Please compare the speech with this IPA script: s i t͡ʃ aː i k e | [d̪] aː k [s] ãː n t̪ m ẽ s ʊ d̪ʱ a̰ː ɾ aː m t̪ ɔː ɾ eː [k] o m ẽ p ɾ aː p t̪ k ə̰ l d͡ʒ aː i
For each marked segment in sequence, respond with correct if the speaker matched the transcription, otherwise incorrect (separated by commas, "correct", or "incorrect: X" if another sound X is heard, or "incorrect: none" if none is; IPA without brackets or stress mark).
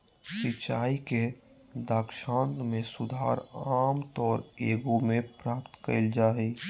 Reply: correct, incorrect: ʃ, incorrect: ɡ